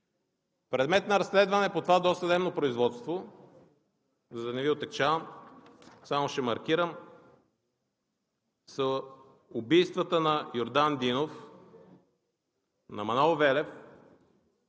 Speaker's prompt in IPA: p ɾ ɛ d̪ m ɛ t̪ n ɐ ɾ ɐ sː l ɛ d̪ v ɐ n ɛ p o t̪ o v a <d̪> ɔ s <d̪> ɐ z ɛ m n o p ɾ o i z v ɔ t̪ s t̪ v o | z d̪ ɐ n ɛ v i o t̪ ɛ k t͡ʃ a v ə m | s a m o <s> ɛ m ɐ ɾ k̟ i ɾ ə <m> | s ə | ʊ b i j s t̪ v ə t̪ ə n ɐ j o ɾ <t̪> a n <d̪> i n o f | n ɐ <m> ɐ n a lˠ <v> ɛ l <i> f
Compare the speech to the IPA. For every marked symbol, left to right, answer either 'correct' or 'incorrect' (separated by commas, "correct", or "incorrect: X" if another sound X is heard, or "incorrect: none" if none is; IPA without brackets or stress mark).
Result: correct, incorrect: t̪, incorrect: ʃ, correct, incorrect: d̪, correct, correct, correct, incorrect: ɛ